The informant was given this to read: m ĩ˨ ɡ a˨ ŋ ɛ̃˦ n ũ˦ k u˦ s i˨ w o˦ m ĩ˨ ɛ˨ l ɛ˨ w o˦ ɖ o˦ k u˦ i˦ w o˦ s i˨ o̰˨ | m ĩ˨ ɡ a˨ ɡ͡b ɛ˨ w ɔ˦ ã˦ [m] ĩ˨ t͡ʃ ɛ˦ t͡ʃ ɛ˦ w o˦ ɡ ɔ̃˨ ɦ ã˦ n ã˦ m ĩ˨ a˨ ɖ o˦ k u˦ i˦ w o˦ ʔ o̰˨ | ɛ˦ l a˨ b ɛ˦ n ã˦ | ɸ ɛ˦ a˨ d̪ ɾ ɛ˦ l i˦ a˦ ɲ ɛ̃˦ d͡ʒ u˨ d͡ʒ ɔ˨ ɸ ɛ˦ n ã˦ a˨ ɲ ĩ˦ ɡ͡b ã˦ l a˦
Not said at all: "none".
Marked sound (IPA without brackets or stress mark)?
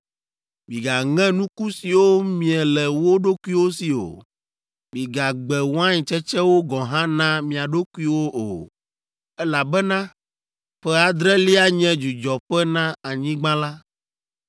ɲ